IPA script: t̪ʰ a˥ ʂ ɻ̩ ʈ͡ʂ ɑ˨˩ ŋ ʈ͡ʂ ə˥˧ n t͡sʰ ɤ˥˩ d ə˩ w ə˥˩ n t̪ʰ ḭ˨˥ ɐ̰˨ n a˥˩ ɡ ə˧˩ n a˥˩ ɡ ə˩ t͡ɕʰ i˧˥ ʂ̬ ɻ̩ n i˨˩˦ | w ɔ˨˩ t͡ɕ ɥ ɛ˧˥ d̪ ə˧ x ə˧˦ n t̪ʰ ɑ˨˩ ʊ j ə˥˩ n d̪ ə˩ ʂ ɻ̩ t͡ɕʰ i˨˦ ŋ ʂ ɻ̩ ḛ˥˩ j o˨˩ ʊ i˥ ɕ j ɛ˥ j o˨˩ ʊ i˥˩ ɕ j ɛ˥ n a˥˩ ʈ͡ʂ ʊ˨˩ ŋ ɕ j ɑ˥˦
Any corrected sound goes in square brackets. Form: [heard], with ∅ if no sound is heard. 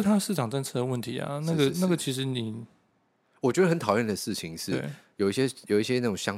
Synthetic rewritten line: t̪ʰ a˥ ʂ ɻ̩ ʈ͡ʂ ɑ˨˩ ŋ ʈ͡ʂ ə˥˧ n t͡sʰ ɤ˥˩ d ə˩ w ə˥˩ n t̪ʰ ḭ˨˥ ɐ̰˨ n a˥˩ ɡ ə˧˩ n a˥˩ ɡ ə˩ t͡ɕʰ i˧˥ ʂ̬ ɻ̩ n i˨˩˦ | w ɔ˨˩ t͡ɕ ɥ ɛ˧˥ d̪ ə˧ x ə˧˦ n t̪ʰ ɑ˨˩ ʊ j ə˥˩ n d̪ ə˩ ʂ ɻ̩ t͡ɕʰ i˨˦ ŋ ʂ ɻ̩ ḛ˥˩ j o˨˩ ʊ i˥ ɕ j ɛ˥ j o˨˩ ʊ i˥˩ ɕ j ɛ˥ n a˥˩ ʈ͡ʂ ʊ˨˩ ŋ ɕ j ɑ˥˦